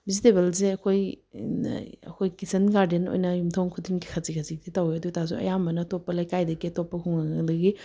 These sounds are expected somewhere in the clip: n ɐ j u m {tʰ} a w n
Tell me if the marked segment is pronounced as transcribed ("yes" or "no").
yes